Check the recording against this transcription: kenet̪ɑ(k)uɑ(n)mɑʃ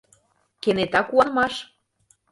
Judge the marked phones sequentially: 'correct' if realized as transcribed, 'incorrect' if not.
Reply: correct, correct

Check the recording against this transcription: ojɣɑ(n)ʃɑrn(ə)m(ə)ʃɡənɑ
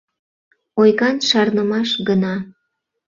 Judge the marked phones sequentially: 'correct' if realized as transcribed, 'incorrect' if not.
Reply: correct, correct, incorrect: ɑ

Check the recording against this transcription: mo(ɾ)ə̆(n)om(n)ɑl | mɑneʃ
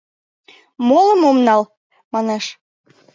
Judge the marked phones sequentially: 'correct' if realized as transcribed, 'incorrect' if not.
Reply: incorrect: l, incorrect: m, correct

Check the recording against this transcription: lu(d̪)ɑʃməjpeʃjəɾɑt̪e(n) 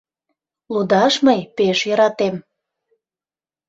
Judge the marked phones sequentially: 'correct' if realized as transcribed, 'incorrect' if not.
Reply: correct, incorrect: m

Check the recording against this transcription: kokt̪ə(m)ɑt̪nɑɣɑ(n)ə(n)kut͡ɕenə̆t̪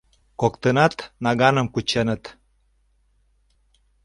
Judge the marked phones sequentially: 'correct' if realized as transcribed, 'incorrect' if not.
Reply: incorrect: n, correct, incorrect: m

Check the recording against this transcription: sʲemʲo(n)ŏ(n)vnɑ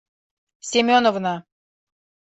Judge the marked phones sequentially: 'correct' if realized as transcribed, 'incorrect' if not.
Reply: correct, incorrect: none

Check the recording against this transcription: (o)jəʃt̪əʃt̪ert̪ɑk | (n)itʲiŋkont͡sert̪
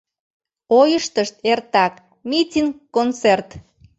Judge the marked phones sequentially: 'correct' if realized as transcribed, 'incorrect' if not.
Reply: correct, incorrect: m

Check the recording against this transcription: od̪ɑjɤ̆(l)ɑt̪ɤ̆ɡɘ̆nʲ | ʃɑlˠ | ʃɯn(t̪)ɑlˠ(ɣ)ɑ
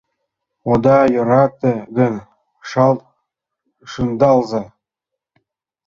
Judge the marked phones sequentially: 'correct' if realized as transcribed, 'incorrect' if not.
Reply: incorrect: ɾ, incorrect: d̪, incorrect: z

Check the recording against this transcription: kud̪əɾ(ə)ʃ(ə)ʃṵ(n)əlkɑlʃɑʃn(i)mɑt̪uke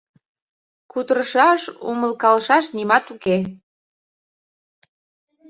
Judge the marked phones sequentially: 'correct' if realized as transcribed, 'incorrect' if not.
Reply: correct, incorrect: ɑ, incorrect: m, correct

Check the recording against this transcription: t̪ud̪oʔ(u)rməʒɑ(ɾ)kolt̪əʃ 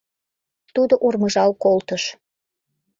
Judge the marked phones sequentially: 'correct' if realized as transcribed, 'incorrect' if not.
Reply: correct, incorrect: l

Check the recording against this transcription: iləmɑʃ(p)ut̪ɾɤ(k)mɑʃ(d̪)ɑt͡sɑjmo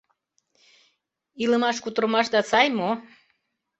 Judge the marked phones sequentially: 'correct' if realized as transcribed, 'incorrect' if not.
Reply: incorrect: k, incorrect: none, correct

